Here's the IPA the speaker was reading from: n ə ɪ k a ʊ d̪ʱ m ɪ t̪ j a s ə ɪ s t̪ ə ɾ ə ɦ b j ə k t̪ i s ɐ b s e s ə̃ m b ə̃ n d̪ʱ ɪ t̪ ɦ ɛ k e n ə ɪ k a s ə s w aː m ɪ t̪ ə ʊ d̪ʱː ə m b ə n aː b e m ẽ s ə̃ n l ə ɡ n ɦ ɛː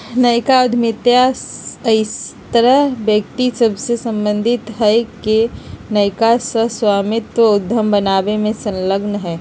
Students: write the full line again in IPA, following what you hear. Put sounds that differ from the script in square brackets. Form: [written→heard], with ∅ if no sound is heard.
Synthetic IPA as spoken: n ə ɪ k a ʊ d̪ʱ m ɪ t̪ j a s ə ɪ s t̪ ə ɾ ə ɦ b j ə k t̪ i s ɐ b s e s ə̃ m b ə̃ n d̪ʱ ɪ t̪ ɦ ɛ k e n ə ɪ k a s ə s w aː m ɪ t̪ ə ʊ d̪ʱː ə m b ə n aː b e m ẽ s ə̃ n l ə ɡ n ɦ ɛː